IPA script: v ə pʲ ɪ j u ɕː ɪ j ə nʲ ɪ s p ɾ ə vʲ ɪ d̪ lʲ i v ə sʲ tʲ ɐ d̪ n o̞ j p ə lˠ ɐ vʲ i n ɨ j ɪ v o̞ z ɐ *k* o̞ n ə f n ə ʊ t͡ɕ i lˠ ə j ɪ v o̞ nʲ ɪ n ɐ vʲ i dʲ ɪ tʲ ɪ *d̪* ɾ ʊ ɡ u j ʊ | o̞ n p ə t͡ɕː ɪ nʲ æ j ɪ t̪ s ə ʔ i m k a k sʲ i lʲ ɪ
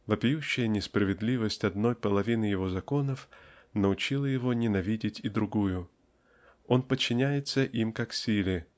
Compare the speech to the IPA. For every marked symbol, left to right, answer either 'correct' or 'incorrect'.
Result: correct, correct

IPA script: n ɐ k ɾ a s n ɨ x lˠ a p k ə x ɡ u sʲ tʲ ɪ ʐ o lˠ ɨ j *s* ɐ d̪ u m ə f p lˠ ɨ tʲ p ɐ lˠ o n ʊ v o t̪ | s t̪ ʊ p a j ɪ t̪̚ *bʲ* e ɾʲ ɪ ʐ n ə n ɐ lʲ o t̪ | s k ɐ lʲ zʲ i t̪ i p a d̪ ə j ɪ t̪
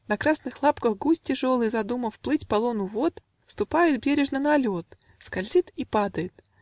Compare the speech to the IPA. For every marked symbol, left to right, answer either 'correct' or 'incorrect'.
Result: incorrect, correct

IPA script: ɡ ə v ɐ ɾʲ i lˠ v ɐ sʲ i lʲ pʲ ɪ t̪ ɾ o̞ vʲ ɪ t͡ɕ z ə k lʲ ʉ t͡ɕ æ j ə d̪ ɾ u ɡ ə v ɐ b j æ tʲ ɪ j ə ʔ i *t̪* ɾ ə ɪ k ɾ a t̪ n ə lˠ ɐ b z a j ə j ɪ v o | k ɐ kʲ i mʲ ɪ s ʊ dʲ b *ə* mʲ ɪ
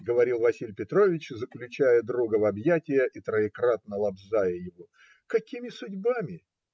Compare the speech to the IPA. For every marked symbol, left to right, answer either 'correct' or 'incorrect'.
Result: correct, incorrect

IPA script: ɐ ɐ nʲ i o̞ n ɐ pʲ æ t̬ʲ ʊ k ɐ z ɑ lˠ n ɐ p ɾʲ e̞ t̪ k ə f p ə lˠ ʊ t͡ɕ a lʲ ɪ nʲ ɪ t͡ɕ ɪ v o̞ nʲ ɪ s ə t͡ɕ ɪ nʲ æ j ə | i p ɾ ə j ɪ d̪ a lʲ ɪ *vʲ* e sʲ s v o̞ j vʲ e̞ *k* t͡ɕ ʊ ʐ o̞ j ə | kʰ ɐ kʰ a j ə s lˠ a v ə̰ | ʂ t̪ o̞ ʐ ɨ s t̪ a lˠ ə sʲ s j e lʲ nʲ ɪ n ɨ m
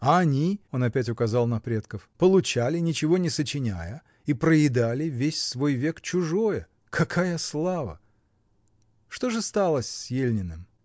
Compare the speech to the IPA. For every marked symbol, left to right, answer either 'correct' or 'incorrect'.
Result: correct, correct

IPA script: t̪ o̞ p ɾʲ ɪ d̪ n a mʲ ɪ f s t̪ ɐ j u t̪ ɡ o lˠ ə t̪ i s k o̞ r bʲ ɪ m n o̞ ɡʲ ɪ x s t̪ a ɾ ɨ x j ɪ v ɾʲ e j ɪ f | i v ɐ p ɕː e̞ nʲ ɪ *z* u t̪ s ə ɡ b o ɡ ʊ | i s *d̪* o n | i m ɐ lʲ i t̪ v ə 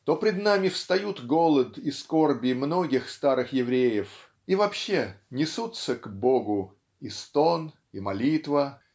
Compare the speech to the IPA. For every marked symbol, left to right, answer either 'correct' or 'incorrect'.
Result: incorrect, incorrect

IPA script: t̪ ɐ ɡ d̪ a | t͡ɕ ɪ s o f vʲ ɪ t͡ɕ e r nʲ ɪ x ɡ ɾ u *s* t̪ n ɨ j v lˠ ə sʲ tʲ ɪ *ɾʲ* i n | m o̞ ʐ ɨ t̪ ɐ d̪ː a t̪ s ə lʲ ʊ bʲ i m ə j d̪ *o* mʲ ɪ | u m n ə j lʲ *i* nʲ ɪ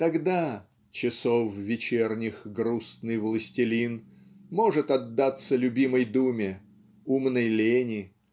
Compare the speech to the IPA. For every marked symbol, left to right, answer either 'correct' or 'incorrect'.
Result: correct, incorrect, incorrect, incorrect

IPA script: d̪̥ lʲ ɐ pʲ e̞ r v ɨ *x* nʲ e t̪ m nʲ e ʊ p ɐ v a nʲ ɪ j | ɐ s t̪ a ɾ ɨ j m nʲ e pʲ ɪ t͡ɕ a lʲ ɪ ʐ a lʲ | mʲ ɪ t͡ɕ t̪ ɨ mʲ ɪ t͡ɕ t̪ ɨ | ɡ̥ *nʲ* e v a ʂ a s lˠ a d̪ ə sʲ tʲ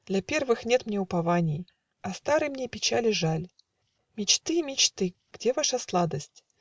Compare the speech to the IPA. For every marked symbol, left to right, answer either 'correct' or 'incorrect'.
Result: correct, incorrect

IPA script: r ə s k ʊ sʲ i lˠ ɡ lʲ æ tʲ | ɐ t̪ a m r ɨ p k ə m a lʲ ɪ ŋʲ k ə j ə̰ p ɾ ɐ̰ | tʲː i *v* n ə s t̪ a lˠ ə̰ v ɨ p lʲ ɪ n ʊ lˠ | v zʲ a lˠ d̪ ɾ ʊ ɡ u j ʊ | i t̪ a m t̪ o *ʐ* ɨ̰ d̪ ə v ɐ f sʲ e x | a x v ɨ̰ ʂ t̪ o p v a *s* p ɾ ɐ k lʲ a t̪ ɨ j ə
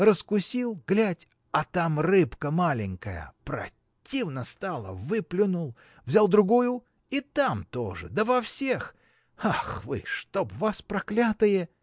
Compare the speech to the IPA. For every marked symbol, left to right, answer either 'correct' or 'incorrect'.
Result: correct, correct, correct

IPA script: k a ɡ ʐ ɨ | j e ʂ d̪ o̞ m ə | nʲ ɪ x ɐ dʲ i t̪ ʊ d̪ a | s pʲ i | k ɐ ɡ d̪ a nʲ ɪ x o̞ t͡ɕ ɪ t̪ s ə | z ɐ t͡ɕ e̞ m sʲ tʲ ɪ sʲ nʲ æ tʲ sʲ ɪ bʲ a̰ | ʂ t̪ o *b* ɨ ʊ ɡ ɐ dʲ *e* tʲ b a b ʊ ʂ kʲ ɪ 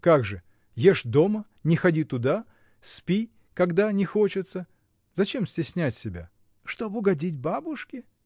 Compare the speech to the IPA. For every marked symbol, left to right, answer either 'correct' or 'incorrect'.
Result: correct, incorrect

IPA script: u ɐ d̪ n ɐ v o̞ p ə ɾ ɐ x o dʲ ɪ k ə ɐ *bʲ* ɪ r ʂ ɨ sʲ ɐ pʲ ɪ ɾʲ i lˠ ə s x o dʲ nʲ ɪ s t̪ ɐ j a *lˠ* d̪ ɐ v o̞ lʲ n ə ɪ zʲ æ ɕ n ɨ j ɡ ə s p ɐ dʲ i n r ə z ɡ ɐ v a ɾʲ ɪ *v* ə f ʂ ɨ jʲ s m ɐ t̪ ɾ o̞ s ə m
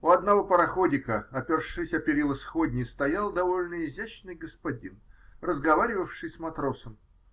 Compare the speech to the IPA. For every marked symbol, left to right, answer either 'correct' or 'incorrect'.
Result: incorrect, correct, correct

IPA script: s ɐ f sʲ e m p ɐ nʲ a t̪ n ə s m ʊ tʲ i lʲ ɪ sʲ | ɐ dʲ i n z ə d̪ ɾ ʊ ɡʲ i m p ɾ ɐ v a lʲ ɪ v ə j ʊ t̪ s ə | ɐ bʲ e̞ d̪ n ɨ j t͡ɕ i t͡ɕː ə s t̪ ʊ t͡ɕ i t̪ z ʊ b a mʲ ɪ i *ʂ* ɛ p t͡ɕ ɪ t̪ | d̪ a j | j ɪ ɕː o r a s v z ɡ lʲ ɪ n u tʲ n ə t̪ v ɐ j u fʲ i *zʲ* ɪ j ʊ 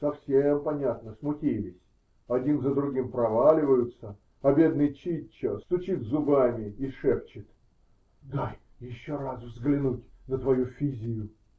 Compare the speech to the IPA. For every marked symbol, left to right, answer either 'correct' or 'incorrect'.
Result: correct, correct

